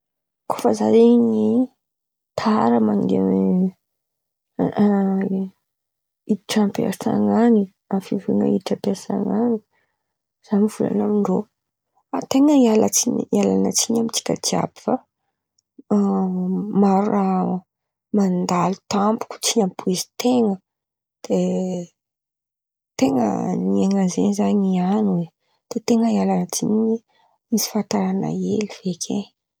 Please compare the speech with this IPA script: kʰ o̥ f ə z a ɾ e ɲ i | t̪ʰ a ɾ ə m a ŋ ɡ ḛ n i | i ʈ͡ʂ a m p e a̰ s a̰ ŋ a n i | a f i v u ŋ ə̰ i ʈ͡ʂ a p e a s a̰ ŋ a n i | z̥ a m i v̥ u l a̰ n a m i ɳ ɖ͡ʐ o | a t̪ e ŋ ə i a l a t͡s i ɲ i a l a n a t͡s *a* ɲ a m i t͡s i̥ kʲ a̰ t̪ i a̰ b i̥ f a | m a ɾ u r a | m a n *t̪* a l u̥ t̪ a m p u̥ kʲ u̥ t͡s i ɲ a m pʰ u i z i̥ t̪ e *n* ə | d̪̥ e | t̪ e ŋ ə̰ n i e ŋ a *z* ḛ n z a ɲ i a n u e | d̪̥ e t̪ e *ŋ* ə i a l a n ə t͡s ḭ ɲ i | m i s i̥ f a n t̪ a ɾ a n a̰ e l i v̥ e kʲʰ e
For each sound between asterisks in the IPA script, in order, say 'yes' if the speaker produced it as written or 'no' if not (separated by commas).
no, no, no, yes, yes